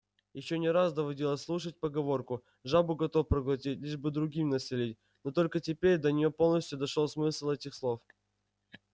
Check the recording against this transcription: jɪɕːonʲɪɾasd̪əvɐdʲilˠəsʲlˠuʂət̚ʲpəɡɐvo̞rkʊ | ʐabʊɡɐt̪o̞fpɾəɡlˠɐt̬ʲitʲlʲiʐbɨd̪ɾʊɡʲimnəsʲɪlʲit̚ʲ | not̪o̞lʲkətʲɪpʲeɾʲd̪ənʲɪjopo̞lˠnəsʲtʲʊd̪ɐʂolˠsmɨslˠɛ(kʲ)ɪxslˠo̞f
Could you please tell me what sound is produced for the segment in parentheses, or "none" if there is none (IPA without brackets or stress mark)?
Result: tʲ